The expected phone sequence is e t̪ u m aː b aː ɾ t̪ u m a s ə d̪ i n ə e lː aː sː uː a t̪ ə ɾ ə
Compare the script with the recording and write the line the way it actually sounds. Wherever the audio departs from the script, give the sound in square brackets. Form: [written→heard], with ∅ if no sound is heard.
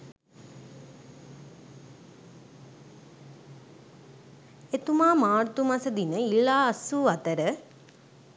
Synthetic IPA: e t̪ u m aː [b→m] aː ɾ t̪ u m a s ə d̪ i n ə [e→i] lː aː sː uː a t̪ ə ɾ ə